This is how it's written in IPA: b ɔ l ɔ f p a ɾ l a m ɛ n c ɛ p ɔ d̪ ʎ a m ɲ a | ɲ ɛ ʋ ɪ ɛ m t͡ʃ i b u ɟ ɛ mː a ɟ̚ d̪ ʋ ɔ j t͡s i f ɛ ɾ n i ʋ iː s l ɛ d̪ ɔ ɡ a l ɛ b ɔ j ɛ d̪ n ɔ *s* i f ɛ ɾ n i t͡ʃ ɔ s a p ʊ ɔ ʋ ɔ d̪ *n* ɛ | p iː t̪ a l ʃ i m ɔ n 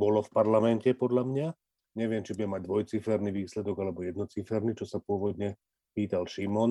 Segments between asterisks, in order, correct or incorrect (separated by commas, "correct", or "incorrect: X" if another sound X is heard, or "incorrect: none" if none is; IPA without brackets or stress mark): incorrect: t͡s, incorrect: ɲ